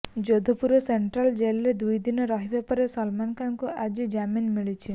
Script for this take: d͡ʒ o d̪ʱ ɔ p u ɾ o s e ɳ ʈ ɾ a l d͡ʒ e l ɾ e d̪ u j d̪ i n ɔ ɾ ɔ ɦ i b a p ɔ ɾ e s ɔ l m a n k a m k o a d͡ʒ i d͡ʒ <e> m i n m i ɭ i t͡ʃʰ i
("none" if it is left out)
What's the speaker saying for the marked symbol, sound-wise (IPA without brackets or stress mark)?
a